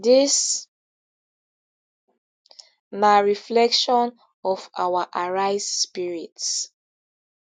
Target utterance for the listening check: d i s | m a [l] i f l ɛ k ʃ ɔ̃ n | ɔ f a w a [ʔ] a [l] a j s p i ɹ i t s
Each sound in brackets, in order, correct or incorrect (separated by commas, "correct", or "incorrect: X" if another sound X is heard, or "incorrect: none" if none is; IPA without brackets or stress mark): incorrect: ɹ, correct, incorrect: ɹ